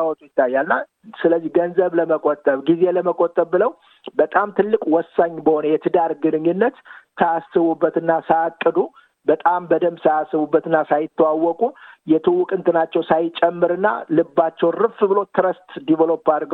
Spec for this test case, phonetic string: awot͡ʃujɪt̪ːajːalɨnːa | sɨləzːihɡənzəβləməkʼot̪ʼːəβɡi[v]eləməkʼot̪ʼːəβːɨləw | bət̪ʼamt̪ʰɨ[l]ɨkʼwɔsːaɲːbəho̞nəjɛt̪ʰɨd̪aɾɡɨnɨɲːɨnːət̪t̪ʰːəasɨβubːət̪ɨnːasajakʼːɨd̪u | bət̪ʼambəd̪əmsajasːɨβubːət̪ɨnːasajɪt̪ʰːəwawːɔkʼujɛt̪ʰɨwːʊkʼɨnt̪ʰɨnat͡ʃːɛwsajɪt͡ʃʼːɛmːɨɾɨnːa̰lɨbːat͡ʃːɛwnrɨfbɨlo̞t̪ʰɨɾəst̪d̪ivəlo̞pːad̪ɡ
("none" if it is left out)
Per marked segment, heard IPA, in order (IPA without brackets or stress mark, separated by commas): z, lː